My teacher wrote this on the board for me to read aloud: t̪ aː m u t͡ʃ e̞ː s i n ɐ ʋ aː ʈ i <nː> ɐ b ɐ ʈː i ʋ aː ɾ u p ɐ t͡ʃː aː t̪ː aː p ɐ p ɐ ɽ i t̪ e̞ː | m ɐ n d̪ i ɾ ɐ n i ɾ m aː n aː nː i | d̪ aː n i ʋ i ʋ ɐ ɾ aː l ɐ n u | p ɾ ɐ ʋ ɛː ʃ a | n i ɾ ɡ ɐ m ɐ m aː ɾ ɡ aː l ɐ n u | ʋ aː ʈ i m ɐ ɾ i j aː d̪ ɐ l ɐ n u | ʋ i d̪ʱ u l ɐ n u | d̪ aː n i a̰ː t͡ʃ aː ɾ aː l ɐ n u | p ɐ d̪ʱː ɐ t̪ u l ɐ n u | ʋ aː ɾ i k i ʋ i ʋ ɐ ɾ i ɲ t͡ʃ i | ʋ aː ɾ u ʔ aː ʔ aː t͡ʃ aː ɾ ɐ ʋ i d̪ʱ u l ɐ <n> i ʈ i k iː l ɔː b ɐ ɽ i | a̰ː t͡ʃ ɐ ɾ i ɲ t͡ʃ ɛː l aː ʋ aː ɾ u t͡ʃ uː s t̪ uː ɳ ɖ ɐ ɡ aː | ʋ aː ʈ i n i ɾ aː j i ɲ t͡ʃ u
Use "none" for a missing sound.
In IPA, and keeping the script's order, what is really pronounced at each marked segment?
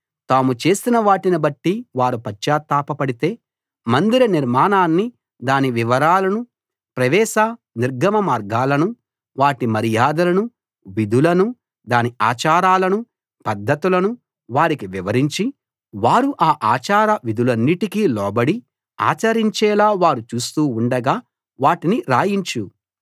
n, nː

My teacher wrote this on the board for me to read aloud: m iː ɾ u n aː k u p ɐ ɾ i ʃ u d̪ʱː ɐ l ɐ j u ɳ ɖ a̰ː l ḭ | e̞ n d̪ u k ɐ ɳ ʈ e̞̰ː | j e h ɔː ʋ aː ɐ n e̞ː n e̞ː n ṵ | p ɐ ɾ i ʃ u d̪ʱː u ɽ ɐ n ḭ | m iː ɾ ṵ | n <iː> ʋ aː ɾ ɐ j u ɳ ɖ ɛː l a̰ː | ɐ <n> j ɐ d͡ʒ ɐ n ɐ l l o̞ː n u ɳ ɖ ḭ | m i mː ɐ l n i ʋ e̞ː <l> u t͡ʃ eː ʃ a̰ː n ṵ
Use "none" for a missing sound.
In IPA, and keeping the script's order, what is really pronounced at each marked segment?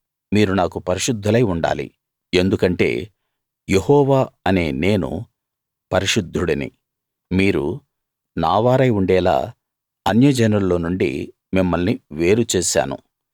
aː, n, ɾ

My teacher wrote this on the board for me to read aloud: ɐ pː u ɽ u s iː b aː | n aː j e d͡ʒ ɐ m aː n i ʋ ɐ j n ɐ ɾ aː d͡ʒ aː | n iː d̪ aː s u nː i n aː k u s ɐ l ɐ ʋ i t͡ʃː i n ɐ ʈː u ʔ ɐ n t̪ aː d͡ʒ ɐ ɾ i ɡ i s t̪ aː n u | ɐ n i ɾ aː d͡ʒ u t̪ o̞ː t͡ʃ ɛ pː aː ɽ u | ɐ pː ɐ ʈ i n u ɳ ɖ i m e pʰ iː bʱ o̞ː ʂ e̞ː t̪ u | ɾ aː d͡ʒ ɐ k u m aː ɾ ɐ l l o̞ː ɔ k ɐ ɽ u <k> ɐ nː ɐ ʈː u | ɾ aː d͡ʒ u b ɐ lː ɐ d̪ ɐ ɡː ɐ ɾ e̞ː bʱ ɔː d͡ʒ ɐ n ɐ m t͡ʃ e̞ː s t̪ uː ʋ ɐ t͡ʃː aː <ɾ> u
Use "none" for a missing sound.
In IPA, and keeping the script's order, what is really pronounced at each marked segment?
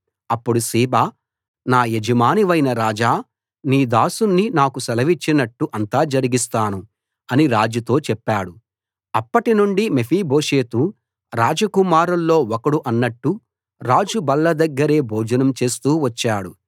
ʔ, ɽ

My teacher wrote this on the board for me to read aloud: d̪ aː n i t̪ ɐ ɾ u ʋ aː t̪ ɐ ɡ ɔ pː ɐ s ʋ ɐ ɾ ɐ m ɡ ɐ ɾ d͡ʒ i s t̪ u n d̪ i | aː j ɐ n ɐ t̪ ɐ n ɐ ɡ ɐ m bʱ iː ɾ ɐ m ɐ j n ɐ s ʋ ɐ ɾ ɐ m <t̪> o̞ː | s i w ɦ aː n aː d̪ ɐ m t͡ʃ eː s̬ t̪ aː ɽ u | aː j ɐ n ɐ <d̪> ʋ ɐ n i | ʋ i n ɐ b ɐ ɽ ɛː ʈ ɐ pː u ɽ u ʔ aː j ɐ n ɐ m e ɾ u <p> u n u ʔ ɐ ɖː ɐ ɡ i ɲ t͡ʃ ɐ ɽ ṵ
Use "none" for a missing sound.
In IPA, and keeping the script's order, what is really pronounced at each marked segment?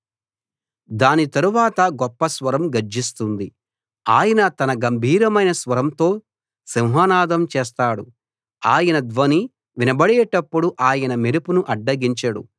t̪, d̪, p

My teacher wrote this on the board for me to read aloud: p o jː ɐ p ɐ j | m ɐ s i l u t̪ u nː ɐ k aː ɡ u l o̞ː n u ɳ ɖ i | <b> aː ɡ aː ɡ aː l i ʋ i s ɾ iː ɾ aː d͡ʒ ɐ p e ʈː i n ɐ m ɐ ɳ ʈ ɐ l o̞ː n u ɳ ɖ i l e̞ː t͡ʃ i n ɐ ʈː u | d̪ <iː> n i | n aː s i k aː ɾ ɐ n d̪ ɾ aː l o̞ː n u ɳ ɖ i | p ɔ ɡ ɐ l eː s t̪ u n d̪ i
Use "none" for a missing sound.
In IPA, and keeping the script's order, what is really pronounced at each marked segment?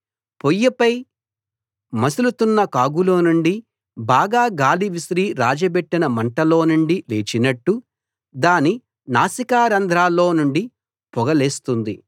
b, aː

